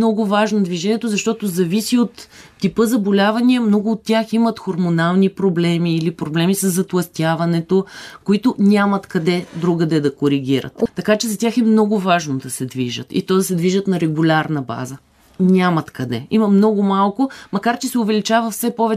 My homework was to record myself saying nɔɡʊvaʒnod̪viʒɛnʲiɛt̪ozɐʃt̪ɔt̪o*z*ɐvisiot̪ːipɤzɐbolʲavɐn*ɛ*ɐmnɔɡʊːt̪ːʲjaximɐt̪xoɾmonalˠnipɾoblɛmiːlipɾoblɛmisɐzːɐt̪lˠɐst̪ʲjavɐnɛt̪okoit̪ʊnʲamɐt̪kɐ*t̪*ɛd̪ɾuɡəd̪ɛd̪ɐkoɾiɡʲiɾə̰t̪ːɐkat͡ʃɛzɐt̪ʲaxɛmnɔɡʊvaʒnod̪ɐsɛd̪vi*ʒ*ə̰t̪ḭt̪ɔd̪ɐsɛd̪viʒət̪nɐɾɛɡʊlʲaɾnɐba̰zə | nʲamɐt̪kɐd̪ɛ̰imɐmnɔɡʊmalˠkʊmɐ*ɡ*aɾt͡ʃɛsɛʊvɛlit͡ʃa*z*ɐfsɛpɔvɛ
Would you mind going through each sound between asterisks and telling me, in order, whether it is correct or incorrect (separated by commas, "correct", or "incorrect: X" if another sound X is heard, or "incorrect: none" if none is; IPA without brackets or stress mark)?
correct, incorrect: i, incorrect: d̪, correct, incorrect: k, incorrect: v